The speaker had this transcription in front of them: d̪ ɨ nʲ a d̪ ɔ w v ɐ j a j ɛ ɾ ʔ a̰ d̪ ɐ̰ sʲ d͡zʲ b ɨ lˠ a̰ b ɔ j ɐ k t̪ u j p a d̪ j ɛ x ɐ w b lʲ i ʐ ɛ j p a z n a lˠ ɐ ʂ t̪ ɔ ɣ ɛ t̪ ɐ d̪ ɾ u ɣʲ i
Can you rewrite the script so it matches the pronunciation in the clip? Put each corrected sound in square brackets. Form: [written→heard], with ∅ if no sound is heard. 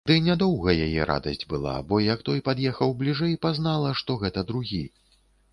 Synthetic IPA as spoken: d̪ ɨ nʲ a d̪ ɔ w [v→ɣ] ɐ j a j ɛ ɾ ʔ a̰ d̪ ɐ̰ sʲ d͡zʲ b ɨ lˠ a̰ b ɔ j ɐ k t̪ [u→ɔ] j p a d̪ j ɛ x ɐ w b lʲ i ʐ ɛ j p a z n a lˠ ɐ ʂ t̪ ɔ ɣ ɛ t̪ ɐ d̪ ɾ u ɣʲ i